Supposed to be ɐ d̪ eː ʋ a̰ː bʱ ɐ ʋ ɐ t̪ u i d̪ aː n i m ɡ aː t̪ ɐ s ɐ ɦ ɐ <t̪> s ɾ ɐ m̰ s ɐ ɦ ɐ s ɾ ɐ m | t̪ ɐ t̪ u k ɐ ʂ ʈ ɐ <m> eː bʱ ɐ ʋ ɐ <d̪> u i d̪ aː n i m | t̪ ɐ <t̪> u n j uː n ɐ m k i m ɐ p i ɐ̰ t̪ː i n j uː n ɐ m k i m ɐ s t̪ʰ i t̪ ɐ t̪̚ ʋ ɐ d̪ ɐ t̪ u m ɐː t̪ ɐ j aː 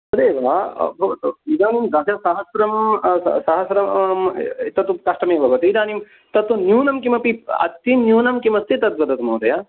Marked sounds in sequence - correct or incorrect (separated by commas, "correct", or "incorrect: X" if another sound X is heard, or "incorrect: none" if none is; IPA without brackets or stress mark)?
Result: incorrect: none, correct, incorrect: t̪, correct